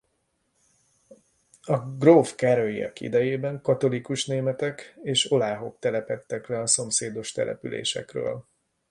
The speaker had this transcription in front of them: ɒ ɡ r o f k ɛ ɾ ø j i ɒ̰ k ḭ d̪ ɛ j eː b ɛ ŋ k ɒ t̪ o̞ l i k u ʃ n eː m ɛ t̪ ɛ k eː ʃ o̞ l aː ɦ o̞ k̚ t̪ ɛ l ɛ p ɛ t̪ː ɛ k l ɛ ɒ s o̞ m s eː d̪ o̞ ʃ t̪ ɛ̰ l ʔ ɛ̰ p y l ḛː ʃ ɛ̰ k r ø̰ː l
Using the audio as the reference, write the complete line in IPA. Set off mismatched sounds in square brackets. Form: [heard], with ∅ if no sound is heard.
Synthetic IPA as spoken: ɒ ɡ r o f k ɛ ɾ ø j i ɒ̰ k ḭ d̪ ɛ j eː b ɛ ŋ k ɒ t̪ o̞ l i k u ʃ n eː m ɛ t̪ ɛ k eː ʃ o̞ l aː ɦ o̞ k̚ t̪ ɛ l ɛ p ɛ t̪ː ɛ k l ɛ ɒ s o̞ m s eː d̪ o̞ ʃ t̪ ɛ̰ l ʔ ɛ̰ p y l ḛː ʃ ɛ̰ k r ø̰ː l